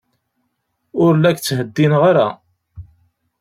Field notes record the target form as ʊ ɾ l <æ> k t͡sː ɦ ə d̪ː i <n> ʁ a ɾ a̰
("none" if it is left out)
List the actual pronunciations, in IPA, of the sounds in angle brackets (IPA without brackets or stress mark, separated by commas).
æ, n